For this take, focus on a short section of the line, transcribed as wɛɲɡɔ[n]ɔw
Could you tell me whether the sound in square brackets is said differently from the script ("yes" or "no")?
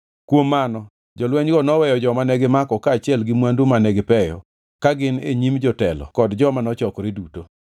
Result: no